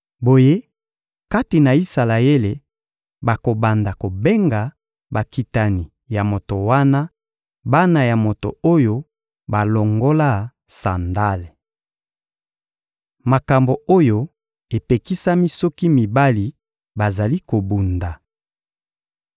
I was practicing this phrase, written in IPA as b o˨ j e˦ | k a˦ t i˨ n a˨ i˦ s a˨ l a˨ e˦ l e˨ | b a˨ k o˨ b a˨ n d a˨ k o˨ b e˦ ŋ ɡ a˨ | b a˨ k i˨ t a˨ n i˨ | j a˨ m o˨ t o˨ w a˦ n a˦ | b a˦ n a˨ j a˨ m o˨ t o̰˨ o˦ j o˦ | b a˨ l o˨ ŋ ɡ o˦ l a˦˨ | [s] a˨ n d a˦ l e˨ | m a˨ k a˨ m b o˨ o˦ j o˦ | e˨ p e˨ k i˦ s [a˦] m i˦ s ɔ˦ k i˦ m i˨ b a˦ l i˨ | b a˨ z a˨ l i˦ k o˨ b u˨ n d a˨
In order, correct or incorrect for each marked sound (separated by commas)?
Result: correct, correct